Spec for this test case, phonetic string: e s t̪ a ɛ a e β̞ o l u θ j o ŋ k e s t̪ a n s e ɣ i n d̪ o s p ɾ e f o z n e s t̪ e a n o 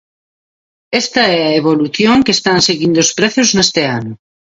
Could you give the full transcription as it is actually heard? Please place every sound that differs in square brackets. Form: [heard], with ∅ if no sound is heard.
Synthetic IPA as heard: e s t̪ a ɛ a e β̞ o l u θ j o ŋ k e s t̪ a n s e ɣ i n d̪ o s p ɾ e [θ] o z n e s t̪ e a n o